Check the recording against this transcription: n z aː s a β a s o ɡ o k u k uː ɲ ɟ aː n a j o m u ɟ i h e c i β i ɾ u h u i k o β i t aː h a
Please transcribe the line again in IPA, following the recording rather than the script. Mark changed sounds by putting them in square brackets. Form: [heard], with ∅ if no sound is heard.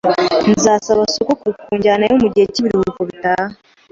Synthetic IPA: n z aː s a β a s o [k] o k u k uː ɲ ɟ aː n a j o m u ɟ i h e c i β i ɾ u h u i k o β i t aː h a